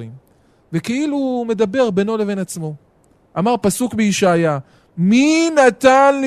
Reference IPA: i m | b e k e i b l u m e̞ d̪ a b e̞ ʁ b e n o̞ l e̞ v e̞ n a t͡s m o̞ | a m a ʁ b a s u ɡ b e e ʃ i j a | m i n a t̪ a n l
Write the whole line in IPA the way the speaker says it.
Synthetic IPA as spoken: i m | v e k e i l u m e̞ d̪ a b e̞ ʁ b e n o̞ l e̞ v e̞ n a t͡s m o̞ | a m a ʁ p a s u k b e i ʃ a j a | m i n a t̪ a n l